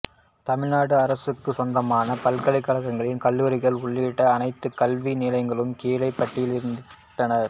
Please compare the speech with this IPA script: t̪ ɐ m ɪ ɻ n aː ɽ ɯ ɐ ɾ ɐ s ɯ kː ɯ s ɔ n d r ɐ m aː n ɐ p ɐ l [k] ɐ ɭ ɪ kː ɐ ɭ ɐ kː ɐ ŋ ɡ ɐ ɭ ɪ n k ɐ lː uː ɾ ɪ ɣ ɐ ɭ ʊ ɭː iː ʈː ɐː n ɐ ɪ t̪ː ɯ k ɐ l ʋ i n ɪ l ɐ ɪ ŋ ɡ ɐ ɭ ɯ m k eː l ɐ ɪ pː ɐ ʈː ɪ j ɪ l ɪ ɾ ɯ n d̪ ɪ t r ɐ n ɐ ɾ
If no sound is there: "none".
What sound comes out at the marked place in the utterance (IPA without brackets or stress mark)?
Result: k